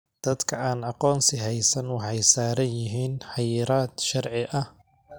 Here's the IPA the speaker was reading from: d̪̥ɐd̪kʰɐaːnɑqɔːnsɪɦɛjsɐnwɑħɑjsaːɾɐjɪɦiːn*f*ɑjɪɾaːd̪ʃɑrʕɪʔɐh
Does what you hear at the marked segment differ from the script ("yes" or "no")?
yes